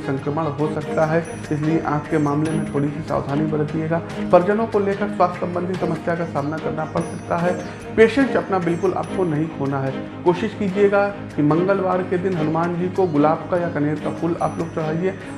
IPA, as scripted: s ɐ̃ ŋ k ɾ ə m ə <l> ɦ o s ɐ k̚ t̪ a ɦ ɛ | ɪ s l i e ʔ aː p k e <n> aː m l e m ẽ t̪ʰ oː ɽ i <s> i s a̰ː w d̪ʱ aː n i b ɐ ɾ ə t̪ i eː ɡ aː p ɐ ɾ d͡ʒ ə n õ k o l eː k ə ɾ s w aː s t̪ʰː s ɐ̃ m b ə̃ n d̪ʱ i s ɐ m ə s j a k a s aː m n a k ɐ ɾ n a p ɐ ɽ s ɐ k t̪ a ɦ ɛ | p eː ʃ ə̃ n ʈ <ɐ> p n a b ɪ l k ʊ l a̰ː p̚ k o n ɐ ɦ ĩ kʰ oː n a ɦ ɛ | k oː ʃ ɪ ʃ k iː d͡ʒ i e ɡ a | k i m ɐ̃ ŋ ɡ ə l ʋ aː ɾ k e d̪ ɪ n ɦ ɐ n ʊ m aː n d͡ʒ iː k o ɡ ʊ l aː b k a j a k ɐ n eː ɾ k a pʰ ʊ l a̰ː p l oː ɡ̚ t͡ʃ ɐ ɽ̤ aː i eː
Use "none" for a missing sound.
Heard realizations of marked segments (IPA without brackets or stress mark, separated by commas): ɽ, m, s, ɐ